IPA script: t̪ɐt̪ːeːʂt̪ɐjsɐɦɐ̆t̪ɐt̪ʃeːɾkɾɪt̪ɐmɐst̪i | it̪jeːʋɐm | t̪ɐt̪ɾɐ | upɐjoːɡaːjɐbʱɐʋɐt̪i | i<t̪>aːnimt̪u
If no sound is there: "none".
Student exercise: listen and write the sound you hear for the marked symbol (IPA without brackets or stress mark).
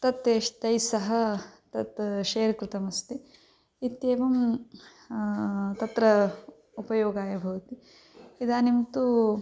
d̪